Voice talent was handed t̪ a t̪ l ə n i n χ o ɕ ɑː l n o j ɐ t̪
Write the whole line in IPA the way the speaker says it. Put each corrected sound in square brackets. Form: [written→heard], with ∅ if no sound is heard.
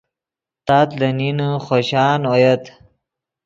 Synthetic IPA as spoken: t̪ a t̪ l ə n i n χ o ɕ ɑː [l→∅] n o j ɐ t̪